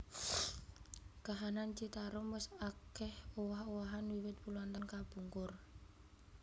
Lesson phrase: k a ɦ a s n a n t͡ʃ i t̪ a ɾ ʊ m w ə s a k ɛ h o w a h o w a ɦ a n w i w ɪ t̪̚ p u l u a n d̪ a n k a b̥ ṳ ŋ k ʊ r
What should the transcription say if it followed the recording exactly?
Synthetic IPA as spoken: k a ɦ a n a n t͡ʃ i t̪ a ɾ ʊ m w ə s a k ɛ h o w a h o w a ɦ a n w i w ɪ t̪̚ p u l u a n t̪ a n k a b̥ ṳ ŋ k ʊ r